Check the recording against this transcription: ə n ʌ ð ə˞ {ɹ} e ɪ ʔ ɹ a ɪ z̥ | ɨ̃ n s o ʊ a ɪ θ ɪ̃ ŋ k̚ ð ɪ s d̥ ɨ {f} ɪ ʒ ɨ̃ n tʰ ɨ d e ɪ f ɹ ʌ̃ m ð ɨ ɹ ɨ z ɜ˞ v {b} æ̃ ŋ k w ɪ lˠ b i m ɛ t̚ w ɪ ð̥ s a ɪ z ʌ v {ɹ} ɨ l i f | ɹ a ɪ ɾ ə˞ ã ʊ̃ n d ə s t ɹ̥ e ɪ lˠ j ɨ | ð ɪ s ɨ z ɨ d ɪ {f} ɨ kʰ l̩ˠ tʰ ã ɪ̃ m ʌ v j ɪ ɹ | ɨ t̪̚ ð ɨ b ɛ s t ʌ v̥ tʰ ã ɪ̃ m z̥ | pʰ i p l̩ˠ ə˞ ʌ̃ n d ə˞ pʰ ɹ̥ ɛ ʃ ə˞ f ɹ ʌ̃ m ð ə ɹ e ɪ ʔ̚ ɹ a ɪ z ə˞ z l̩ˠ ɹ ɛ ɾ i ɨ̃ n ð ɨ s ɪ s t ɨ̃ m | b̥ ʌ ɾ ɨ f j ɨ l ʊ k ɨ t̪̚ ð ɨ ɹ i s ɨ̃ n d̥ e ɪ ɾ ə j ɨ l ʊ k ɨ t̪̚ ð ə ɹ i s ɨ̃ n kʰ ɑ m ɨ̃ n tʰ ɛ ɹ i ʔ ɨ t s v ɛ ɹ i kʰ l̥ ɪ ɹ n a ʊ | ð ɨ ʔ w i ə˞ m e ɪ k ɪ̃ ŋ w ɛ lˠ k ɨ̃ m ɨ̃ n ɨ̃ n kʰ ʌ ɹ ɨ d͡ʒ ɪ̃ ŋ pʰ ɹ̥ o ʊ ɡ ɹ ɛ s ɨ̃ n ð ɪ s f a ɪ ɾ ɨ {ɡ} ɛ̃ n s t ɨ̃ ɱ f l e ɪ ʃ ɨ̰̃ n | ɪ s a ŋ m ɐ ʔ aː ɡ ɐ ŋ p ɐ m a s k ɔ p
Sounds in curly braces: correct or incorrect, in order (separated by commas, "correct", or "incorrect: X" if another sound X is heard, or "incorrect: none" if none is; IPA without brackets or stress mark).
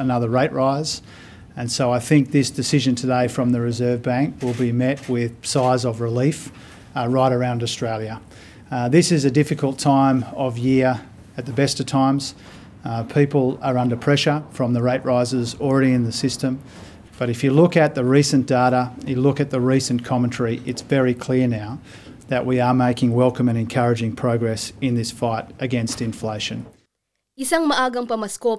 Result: correct, incorrect: s, correct, correct, correct, correct